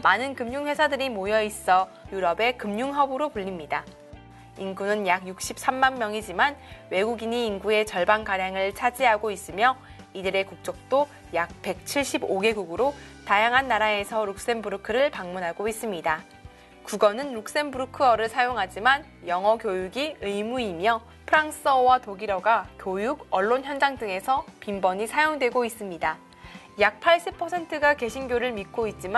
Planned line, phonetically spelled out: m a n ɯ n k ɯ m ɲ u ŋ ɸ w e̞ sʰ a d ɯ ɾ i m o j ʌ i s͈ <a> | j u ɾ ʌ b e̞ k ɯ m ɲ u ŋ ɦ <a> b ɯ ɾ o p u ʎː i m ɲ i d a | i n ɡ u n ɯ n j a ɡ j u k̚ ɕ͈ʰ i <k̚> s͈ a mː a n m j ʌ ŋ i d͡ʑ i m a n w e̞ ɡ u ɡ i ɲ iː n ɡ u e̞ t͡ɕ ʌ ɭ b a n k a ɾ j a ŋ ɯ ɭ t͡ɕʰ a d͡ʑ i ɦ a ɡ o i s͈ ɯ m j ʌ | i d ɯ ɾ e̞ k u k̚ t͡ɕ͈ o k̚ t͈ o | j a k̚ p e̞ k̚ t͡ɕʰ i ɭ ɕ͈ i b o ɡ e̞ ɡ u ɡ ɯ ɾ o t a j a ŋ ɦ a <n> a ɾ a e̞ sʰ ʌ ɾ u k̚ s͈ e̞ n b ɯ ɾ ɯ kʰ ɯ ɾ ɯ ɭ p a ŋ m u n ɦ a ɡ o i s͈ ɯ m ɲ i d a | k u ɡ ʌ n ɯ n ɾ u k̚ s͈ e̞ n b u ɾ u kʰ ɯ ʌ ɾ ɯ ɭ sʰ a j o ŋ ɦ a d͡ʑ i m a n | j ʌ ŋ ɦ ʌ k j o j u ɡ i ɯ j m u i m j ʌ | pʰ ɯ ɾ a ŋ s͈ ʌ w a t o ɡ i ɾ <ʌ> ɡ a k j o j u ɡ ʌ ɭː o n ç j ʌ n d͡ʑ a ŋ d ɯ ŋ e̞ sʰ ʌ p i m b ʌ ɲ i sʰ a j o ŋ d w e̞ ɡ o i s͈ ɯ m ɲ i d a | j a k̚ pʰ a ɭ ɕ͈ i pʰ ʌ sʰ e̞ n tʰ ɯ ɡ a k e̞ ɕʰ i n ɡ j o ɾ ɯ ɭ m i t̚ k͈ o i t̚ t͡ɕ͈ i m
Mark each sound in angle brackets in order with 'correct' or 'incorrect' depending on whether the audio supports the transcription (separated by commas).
incorrect, incorrect, incorrect, incorrect, correct